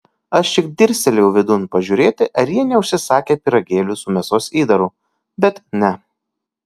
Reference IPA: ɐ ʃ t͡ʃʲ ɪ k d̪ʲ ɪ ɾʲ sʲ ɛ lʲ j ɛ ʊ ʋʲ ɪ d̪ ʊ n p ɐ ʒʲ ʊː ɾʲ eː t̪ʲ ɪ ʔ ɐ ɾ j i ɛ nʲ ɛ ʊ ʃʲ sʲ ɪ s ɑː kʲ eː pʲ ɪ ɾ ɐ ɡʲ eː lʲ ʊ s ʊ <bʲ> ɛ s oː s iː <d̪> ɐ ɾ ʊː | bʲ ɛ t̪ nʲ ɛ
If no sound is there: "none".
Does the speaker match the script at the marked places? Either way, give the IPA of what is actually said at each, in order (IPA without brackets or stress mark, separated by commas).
mʲ, d̪